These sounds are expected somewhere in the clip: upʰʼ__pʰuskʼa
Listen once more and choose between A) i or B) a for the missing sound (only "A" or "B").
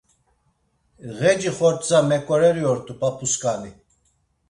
B